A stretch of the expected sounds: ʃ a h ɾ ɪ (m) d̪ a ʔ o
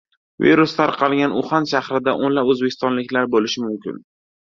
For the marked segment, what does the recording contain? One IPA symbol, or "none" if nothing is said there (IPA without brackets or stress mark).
none